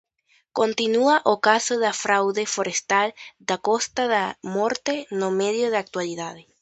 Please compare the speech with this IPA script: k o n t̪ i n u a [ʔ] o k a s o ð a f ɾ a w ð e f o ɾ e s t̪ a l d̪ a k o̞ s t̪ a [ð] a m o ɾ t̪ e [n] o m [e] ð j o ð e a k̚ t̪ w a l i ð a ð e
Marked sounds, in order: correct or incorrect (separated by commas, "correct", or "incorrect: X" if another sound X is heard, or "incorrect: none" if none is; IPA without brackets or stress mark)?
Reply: correct, correct, correct, correct